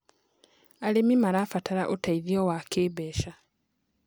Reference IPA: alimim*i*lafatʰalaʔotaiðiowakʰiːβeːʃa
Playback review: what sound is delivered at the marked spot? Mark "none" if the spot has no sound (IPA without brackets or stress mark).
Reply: a